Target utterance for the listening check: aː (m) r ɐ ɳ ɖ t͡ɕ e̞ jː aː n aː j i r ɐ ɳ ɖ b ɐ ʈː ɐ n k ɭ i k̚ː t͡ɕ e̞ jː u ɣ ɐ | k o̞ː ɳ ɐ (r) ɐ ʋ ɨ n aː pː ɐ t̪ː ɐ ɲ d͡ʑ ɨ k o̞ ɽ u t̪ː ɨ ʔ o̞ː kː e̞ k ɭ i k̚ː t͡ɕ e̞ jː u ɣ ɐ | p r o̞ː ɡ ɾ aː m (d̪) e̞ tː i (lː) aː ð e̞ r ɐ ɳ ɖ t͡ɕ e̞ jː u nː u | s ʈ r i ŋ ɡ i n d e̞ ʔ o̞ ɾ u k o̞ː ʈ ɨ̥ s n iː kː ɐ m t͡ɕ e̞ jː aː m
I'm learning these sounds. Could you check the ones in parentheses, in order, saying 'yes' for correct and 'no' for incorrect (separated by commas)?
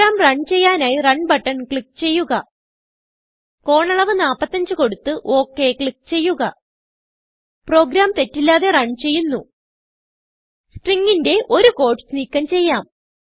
yes, no, no, yes